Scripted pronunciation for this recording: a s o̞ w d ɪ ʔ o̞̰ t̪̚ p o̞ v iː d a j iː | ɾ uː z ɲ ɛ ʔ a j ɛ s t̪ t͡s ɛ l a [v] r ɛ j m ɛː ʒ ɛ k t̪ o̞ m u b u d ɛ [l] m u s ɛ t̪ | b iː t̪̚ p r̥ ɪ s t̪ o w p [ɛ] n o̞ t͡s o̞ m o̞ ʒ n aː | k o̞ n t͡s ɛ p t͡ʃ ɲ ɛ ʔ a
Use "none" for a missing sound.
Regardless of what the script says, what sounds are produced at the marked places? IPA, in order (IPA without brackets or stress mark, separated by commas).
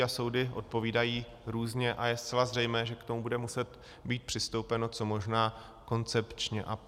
z, none, ɛ